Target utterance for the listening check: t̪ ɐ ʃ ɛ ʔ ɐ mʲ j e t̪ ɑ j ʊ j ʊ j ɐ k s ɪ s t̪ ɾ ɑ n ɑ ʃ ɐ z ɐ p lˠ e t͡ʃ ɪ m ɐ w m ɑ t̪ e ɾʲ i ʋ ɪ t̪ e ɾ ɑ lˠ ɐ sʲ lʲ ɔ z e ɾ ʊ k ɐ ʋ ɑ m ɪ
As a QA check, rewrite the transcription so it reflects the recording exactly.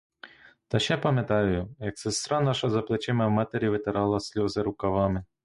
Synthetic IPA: t̪ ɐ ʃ ɛ p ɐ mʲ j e t̪ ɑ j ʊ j ʊ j ɐ k s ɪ s t̪ ɾ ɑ n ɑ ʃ ɐ z ɐ p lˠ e t͡ʃ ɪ m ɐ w m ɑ t̪ e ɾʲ i ʋ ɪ t̪ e ɾ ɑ lˠ ɐ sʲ lʲ ɔ z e ɾ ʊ k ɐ ʋ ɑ m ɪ

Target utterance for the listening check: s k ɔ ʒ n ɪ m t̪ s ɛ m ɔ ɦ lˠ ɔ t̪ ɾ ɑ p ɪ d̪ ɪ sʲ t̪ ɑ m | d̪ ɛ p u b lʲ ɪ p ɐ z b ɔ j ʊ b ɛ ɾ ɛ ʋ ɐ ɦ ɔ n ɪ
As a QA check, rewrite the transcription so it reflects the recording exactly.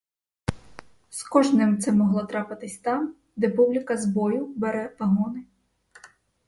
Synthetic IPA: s k ɔ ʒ n ɪ m t̪ s ɛ m ɔ ɦ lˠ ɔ t̪ ɾ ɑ p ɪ t̪ ɪ sʲ t̪ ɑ m | d̪ ɛ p u b lʲ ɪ k ɐ z b ɔ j ʊ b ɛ ɾ ɛ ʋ ɐ ɦ ɔ n ɪ

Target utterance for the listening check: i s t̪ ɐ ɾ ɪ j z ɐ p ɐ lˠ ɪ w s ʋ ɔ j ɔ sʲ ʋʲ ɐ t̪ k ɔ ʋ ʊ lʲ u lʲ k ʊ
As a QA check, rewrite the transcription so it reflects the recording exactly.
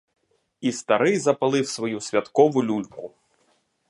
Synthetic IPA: i s t̪ ɐ ɾ ɪ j z ɐ p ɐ lˠ ɪ w s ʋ ɔ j u sʲ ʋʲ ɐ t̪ k ɔ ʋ ʊ lʲ u lʲ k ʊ

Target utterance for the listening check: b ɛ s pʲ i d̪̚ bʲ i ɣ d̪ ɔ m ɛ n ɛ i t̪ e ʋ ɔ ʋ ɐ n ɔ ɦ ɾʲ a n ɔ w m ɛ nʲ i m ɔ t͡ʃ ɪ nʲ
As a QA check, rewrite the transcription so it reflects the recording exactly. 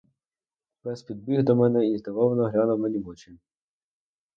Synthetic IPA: b ɛ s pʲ i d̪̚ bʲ i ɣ d̪ ɔ m ɛ n ɛ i t̪ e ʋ ɔ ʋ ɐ n ɔ ɦ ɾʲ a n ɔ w m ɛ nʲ i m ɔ t͡ʃ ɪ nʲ

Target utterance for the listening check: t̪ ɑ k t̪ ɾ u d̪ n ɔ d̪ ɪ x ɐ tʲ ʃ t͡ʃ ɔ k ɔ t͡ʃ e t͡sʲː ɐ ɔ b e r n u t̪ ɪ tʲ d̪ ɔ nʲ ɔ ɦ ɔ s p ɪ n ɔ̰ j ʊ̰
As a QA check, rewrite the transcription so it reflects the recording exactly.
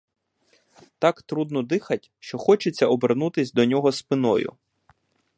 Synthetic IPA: t̪ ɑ k t̪ ɾ u d̪ n ɔ d̪ ɪ x ɐ tʲ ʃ t͡ʃ ɔ x ɔ t͡ʃ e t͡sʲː ɐ ɔ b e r n u t̪ ɪ sʲ d̪ ɔ nʲ ɔ ɦ ɔ s p ɪ n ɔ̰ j ʊ̰

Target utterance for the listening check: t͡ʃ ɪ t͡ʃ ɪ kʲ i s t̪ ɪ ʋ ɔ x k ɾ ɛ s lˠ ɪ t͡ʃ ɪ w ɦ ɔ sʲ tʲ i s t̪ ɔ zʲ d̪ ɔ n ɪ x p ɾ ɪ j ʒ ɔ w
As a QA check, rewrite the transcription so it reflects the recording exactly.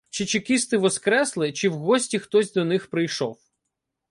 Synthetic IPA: t͡ʃ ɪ t͡ʃ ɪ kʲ i s t̪ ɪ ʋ ɔ s k ɾ ɛ s lˠ ɪ t͡ʃ ɪ w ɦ ɔ sʲ tʲ i x t̪ ɔ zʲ d̪ ɔ n ɪ x p ɾ ɪ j ʃ ɔ w

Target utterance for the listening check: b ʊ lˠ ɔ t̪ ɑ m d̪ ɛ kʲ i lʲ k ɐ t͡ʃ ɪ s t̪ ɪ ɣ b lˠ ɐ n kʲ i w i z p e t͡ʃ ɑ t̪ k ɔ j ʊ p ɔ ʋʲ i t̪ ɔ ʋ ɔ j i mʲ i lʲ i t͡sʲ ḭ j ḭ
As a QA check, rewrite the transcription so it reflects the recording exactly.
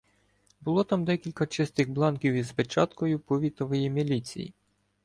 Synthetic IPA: b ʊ lˠ ɔ t̪ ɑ m d̪ ɛ kʲ i lʲ k ɐ t͡ʃ ɪ s t̪ ɪ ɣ b lˠ ɑ n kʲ i w i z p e t͡ʃ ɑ t̪ k ɔ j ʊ p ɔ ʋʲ i t̪ ɔ ʋ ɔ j i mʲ i lʲ i t͡sʲ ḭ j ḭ

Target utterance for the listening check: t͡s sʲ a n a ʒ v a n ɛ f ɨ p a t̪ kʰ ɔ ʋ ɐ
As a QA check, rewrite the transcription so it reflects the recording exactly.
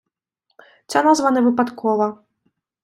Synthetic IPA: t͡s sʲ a n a z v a n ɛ v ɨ p a t̪ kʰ ɔ v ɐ

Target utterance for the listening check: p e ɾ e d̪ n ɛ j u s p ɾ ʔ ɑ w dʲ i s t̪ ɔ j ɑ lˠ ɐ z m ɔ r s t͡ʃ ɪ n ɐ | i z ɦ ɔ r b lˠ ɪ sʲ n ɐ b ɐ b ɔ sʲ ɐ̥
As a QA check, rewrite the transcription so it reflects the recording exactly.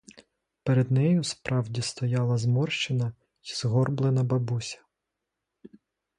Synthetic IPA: p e ɾ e d̪ n ɛ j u s p ɾ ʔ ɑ w dʲ i s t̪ ɔ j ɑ lˠ ɐ z m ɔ r ʃ t͡ʃ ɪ n ɐ | i z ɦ ɔ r b lˠ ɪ n ɐ b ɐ b u sʲ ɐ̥

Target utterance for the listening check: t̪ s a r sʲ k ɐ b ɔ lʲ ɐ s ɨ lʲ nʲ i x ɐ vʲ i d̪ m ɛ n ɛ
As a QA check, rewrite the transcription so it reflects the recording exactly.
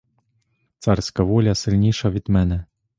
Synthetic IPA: t̪ s a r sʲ k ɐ v ɔ lʲ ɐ s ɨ lʲ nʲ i ʂ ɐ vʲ i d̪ m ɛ n ɛ

